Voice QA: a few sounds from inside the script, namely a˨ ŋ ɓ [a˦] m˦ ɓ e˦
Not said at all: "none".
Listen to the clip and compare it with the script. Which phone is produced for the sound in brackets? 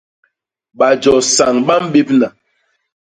a˦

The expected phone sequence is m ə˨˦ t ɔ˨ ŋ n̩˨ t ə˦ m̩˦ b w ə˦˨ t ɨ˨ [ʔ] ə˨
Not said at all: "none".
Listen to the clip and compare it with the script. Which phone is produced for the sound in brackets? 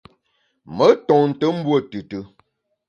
t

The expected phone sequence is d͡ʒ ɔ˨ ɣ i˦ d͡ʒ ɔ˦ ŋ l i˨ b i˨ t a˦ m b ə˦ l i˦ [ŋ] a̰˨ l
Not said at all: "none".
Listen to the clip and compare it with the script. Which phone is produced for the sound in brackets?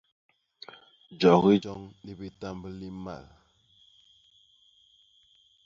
m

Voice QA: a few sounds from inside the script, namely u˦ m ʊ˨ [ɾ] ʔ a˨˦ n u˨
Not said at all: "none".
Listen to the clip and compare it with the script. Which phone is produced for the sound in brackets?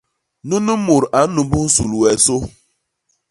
ɾ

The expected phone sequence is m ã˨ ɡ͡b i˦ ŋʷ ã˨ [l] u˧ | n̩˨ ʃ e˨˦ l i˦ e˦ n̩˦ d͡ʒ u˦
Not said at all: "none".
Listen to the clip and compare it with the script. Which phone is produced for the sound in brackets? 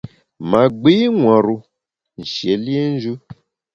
ɾ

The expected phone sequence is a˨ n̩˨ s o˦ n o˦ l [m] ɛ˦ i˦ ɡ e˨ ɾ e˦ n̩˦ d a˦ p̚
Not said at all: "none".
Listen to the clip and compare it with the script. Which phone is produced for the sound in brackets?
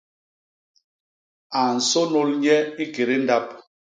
ɲ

